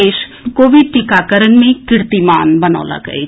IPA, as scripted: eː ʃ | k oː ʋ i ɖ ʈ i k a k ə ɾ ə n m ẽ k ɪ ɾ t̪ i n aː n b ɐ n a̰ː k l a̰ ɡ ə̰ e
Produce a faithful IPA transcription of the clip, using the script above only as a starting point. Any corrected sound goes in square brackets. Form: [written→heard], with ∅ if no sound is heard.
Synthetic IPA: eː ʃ | k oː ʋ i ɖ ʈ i k a k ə ɾ ə n m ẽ k ɪ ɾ t̪ i [n→m] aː n b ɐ n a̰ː [k→∅] l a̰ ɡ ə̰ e